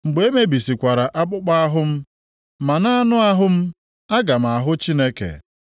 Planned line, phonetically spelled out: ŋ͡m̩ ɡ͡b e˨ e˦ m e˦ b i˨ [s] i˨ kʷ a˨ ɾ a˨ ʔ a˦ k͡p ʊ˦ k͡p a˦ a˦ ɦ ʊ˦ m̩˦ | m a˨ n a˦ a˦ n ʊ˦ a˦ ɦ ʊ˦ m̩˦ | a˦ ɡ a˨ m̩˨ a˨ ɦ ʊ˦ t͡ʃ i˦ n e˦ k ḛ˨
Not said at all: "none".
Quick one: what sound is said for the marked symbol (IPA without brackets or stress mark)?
s